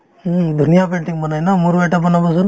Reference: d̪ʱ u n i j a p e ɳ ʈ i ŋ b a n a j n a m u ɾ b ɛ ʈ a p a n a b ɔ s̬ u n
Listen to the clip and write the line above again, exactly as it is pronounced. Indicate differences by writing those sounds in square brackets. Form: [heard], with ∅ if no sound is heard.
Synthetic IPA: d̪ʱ u n i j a p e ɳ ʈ i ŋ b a n a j n a m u ɾ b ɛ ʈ a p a n a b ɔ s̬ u n